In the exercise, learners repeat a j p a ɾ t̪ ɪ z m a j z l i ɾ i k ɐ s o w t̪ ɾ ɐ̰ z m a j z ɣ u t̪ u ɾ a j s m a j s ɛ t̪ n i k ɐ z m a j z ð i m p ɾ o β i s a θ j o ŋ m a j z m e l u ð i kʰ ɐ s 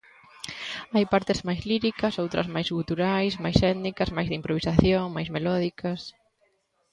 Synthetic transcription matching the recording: a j p a ɾ t̪ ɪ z m a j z l i ɾ i k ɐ s o w t̪ ɾ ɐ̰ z m a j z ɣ u t̪ u ɾ a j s m a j s ɛ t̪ n i k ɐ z m a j z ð i m p ɾ o β i s a θ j o ŋ m a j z m e l ɔ ð i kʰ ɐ s